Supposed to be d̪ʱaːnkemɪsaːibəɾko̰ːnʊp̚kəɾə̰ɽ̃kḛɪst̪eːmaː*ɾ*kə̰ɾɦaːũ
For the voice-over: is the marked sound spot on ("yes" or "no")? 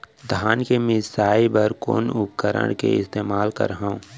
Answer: no